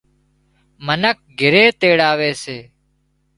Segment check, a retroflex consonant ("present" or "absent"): present